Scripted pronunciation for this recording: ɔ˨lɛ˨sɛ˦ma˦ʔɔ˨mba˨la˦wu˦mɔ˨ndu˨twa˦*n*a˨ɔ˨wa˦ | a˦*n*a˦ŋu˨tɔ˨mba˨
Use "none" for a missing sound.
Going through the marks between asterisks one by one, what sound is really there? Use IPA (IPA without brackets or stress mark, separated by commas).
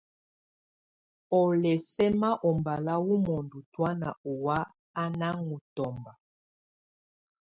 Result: n, n